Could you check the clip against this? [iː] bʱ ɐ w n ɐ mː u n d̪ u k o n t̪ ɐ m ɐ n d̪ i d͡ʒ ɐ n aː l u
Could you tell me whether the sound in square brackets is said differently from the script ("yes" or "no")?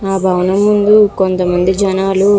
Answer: yes